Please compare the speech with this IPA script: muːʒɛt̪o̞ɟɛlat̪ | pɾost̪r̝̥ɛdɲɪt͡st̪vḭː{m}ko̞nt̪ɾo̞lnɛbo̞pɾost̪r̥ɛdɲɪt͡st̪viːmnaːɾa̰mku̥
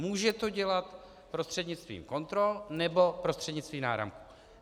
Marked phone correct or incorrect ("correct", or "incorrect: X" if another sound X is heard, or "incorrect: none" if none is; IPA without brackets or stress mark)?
correct